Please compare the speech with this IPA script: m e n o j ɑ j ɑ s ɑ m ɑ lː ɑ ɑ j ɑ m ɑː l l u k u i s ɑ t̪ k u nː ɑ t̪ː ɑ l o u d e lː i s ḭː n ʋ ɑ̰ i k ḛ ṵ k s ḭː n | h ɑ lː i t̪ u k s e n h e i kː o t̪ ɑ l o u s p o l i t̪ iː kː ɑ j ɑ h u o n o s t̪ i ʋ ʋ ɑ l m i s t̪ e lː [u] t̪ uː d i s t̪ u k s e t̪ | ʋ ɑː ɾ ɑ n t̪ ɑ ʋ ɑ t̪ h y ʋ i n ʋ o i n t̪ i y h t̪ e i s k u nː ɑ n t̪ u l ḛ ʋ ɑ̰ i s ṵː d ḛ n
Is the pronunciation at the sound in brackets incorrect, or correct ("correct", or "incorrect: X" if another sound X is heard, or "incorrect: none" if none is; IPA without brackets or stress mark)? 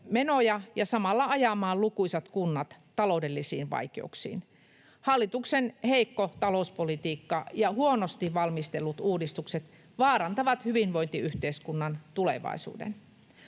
correct